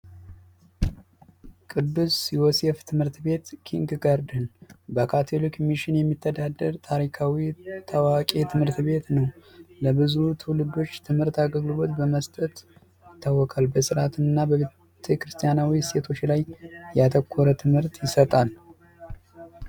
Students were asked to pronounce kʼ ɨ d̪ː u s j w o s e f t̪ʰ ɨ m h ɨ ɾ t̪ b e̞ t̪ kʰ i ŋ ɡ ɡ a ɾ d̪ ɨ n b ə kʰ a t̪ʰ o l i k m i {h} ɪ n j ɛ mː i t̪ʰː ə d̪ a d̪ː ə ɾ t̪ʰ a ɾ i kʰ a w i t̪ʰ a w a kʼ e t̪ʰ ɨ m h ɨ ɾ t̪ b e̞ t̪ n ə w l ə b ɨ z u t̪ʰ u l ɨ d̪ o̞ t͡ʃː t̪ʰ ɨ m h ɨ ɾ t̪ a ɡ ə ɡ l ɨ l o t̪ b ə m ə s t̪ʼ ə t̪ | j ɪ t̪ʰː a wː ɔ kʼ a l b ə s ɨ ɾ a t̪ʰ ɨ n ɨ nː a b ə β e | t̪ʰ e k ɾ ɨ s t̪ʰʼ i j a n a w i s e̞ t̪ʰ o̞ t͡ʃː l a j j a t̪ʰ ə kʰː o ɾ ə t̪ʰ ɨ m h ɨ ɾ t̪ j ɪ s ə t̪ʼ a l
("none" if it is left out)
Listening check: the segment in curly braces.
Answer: ʃ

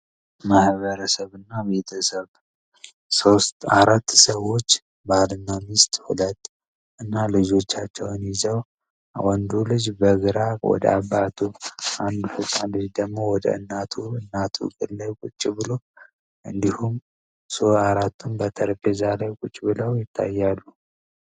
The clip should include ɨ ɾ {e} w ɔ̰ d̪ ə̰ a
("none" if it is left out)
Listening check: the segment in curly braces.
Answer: a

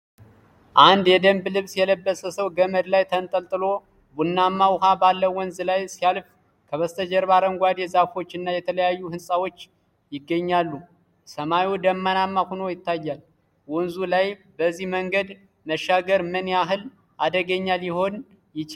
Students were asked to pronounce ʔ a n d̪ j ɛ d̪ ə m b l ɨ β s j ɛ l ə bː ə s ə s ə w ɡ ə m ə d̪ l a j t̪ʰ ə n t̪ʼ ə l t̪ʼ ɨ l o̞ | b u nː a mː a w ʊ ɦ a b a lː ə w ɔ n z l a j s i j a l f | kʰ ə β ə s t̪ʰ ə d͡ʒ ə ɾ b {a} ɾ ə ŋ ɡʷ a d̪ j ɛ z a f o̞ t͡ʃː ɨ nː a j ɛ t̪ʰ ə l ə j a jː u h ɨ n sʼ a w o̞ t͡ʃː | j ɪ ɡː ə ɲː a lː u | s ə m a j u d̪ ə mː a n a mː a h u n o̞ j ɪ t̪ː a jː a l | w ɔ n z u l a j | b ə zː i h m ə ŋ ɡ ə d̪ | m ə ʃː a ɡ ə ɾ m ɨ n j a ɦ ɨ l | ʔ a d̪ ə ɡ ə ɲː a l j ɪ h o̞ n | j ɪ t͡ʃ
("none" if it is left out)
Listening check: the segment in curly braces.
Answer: a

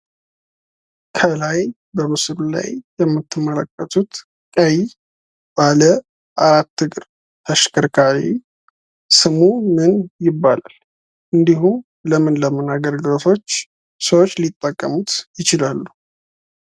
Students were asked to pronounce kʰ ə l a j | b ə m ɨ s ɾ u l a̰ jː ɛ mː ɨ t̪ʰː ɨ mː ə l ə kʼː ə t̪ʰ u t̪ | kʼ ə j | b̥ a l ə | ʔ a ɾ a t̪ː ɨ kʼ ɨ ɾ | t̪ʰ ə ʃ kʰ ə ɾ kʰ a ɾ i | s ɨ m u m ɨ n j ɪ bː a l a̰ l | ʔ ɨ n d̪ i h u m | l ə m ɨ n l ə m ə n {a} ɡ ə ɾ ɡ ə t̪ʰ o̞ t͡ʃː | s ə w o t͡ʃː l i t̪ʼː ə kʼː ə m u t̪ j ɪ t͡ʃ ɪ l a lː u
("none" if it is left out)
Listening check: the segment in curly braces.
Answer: a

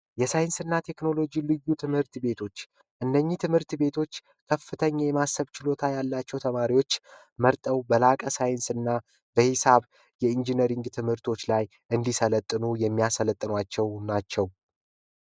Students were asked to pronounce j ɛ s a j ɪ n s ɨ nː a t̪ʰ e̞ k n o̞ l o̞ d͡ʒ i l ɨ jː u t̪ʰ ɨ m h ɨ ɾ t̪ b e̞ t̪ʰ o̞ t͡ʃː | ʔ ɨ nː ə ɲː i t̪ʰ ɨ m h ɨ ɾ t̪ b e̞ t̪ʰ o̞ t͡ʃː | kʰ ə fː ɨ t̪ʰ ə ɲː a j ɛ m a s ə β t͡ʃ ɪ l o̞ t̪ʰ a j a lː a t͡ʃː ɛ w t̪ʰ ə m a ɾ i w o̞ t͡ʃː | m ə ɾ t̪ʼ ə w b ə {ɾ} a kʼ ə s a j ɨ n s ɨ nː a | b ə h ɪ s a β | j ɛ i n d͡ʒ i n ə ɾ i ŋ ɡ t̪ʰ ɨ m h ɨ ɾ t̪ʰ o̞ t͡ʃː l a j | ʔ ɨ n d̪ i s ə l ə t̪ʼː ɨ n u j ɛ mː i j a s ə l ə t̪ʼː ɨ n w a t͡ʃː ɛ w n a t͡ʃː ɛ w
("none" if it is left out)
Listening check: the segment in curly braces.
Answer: l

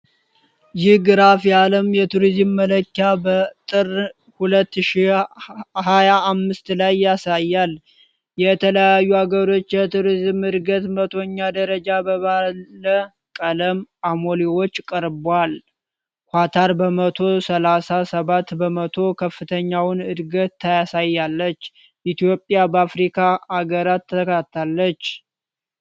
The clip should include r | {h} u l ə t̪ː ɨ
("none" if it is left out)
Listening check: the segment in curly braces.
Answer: h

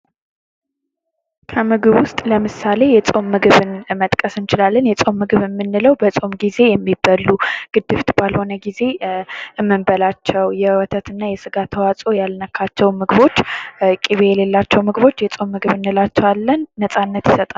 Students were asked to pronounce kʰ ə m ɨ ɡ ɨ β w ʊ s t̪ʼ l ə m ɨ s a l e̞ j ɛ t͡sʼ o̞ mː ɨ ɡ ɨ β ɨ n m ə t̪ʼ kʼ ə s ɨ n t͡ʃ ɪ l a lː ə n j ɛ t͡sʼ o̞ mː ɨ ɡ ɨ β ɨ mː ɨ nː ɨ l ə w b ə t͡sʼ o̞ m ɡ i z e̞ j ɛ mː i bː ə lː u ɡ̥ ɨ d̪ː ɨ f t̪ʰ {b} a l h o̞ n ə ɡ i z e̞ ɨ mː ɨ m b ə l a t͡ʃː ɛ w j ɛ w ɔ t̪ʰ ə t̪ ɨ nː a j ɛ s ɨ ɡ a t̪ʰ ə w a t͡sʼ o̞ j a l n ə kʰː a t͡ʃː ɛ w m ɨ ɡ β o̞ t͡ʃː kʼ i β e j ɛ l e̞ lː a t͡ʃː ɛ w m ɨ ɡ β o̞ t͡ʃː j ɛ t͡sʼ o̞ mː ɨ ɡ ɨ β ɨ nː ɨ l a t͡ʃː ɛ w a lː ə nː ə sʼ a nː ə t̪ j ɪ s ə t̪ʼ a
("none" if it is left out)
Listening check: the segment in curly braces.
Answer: b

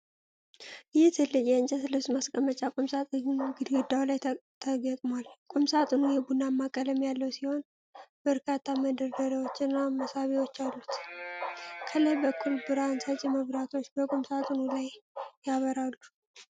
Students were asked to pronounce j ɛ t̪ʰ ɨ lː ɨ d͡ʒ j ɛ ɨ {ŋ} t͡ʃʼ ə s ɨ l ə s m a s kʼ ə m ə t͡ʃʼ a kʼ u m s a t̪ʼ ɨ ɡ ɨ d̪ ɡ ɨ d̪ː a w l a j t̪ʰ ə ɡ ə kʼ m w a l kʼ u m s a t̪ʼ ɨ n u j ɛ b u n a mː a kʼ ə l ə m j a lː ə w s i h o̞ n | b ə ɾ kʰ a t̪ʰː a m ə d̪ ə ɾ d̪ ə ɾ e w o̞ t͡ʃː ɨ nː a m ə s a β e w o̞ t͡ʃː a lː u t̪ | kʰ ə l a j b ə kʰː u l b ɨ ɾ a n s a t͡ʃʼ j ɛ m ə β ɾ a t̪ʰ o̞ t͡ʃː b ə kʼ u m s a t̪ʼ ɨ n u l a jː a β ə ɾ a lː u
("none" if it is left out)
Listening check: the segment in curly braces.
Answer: n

